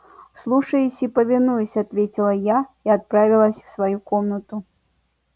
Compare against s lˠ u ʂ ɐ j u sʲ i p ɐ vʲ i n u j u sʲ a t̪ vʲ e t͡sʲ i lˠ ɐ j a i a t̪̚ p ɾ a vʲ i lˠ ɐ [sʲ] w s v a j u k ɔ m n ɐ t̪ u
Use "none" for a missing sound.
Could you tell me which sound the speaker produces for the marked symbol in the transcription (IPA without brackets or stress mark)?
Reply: sʲ